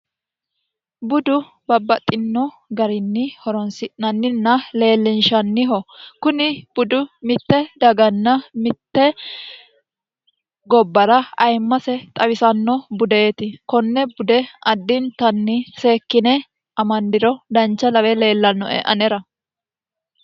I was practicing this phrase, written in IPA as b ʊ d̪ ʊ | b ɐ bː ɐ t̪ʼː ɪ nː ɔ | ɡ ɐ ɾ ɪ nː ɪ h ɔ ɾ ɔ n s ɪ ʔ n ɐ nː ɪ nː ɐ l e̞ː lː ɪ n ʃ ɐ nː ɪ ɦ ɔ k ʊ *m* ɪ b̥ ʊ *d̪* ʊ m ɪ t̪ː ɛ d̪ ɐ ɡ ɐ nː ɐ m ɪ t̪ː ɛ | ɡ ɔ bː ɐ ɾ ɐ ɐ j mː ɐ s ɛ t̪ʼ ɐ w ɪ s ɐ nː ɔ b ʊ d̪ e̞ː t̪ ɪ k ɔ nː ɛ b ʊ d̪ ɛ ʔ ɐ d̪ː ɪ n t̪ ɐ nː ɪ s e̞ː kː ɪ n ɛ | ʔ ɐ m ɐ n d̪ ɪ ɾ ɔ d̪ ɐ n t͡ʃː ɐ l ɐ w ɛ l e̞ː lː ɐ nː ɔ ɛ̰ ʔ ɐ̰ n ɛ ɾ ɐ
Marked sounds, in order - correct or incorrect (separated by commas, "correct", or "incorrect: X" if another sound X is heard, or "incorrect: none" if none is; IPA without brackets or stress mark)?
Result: incorrect: n, correct